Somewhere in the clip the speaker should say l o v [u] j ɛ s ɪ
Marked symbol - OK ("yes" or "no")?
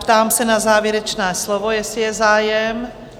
no